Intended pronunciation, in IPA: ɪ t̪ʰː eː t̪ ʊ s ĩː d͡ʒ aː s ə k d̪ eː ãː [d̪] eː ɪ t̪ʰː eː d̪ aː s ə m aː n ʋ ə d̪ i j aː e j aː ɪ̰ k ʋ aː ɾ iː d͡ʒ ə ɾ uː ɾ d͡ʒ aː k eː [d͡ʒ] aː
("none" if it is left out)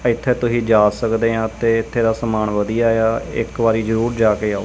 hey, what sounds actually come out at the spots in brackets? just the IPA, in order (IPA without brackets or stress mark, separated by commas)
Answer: t̪, none